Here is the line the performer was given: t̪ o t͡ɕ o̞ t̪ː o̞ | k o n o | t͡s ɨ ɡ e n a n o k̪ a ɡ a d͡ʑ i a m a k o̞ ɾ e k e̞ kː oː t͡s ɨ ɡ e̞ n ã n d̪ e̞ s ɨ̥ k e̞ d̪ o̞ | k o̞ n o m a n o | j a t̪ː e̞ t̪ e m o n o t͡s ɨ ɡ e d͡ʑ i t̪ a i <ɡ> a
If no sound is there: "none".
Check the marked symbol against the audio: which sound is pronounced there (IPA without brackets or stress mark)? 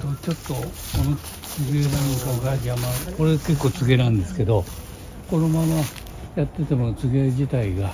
ɡ